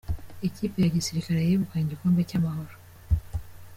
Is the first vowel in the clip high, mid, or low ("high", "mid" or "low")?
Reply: mid